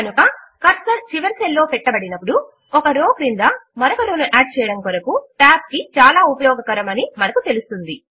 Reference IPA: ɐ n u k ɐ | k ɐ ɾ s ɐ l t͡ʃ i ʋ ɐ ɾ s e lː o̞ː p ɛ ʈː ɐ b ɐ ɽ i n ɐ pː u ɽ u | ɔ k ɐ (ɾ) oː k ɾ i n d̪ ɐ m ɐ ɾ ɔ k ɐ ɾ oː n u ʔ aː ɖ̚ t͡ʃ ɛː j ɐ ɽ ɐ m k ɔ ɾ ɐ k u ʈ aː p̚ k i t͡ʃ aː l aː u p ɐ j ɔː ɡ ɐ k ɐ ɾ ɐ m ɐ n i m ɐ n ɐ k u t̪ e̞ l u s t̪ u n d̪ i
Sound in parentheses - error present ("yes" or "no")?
no